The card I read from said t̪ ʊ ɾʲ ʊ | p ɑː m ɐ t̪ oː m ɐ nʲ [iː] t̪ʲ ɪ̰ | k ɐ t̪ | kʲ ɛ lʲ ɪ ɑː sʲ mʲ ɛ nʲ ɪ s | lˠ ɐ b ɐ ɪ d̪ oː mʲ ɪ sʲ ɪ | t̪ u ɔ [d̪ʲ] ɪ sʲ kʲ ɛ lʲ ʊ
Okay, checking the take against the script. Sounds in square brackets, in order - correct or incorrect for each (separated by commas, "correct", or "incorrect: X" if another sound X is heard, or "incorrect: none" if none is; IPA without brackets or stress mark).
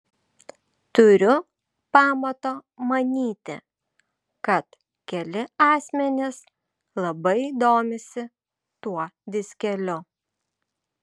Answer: correct, correct